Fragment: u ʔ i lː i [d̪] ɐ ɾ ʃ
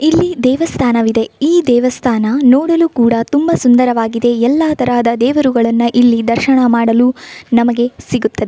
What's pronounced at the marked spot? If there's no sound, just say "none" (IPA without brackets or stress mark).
d̪